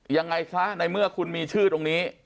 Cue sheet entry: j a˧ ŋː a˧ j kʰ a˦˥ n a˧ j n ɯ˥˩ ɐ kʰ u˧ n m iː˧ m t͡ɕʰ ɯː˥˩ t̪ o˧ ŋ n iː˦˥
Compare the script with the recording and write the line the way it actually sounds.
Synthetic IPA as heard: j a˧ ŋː a˧ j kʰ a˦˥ n a˧ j m ɯ˥˩ ɐ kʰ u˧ n m iː˧ t͡ɕʰ ɯː˥˩ t̪ o˧ ŋ n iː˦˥